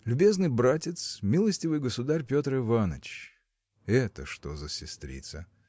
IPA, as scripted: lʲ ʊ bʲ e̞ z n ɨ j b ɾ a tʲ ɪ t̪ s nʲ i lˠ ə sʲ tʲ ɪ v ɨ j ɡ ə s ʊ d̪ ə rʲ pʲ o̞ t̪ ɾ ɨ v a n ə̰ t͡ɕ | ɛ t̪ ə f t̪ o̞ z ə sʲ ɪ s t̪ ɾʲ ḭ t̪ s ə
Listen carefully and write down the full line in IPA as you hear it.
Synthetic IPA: lʲ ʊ bʲ e̞ z n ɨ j b ɾ a tʲ ɪ t̪ s mʲ i lˠ ə sʲ tʲ ɪ v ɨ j ɡ ə s ʊ d̪ a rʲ pʲ o̞ t̪ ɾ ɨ v a n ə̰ t͡ɕ | ɛ t̪ ə ʂ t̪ o̞ z ə sʲ ɪ s t̪ ɾʲ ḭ t̪ s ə